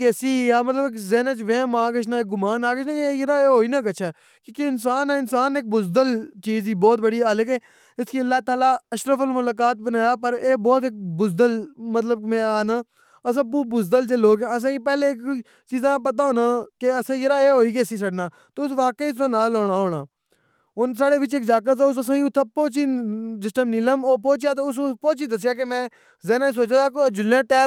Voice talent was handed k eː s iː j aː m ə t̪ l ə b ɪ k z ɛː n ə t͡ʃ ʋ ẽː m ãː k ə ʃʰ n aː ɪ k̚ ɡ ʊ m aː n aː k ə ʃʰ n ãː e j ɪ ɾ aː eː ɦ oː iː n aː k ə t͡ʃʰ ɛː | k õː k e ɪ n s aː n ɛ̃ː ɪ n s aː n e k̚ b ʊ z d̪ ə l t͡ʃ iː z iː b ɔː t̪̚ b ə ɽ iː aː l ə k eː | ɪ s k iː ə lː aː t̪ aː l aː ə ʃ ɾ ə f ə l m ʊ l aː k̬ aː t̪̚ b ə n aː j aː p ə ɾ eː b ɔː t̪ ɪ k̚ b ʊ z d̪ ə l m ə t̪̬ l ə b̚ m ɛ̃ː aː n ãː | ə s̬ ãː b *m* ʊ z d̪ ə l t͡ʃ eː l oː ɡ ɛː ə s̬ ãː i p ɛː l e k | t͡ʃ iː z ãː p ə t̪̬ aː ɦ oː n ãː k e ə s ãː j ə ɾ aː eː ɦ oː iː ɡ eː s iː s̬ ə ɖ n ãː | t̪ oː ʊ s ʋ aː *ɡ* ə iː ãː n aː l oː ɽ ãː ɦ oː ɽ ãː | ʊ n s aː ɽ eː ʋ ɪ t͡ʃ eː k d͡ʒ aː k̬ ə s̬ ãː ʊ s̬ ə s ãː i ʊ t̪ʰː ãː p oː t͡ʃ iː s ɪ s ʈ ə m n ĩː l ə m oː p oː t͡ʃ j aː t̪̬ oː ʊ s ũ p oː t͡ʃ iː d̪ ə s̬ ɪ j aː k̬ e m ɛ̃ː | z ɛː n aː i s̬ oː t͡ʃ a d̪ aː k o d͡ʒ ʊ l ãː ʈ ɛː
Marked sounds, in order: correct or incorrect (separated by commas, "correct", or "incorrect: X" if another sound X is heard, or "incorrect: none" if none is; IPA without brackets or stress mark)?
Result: incorrect: b, incorrect: k